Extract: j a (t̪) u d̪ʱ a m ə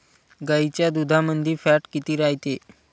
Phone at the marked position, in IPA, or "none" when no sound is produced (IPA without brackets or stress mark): d̪